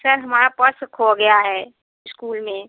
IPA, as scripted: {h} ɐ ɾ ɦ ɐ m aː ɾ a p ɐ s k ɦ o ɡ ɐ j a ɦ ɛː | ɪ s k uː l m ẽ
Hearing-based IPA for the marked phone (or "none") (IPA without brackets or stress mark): s